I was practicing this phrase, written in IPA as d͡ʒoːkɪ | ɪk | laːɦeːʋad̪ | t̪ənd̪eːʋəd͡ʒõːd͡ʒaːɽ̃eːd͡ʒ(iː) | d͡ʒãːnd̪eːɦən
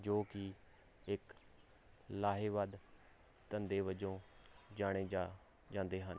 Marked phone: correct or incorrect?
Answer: incorrect